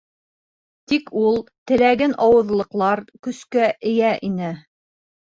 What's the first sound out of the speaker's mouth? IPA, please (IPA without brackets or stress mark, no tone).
t̪